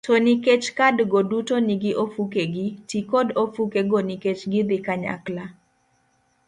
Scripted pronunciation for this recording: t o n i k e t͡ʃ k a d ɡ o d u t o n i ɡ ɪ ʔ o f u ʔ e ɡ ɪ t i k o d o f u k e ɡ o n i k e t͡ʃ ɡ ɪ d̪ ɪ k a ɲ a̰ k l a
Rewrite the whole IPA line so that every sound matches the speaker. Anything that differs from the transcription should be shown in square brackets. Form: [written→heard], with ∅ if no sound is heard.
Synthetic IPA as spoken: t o n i k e t͡ʃ k a d ɡ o d u t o n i ɡ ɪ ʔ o f u [ʔ→k] e ɡ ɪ t i k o d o f u k e ɡ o n i k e t͡ʃ ɡ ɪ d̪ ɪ k a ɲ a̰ k l a